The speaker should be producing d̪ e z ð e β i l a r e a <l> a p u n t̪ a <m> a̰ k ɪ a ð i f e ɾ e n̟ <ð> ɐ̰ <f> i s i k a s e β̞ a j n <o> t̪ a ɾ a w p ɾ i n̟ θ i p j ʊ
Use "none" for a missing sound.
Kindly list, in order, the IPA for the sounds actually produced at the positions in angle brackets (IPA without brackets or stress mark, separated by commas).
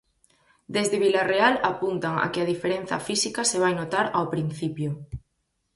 l, ŋ, θ, f, o